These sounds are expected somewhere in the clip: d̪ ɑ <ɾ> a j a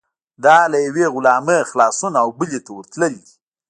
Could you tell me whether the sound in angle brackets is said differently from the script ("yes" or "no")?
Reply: yes